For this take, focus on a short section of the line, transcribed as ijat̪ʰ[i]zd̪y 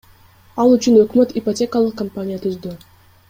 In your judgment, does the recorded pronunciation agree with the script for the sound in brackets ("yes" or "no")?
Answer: no